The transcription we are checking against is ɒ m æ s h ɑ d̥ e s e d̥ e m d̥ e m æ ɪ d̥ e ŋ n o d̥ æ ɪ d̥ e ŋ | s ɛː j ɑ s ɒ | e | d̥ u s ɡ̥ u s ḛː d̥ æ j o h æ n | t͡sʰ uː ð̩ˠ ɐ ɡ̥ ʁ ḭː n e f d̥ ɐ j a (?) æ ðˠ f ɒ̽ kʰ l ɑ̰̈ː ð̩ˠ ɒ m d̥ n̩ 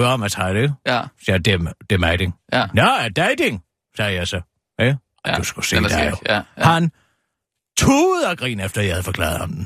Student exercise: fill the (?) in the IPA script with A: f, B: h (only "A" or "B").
B